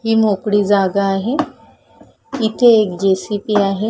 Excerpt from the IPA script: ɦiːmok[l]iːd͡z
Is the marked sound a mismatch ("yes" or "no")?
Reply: yes